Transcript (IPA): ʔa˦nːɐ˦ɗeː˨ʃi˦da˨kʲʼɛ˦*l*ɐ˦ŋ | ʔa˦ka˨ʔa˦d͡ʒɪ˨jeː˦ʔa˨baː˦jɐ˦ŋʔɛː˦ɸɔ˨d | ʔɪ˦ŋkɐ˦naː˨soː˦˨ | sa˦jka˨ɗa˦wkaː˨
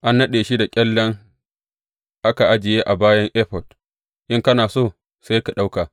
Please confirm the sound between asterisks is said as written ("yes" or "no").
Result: no